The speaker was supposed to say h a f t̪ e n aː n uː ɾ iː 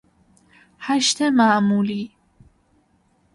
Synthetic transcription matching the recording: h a ʃ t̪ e m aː m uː l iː

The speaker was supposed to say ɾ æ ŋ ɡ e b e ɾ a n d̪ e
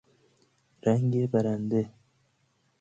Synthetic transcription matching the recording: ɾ a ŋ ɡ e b a ɾ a n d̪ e

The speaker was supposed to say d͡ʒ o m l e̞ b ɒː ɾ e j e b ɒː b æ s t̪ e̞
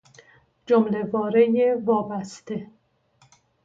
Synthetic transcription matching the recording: d͡ʒ o m l e̞ v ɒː ɾ e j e v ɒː b æ s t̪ e̞

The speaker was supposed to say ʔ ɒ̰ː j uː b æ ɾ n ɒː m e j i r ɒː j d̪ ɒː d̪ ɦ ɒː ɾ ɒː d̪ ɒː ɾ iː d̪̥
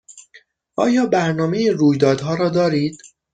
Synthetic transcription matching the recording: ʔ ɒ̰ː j ɒː b æ ɾ n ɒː m e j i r uː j d̪ ɒː d̪ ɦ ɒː ɾ ɒː d̪ ɒː ɾ iː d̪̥

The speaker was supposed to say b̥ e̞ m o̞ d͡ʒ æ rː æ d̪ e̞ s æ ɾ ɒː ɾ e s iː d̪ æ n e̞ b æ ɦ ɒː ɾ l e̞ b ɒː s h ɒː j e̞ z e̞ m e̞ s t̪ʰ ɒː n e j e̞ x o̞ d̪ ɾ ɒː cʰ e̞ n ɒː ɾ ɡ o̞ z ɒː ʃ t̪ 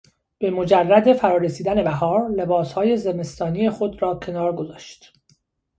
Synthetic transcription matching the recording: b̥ e̞ m o̞ d͡ʒ æ rː æ d̪ e̞ f æ ɾ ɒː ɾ e s iː d̪ æ n e̞ b æ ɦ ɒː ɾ l e̞ b ɒː s h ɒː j e̞ z e̞ m e̞ s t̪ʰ ɒː n i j e̞ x o̞ d̪ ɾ ɒː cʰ e̞ n ɒː ɾ ɡ o̞ z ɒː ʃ t̪

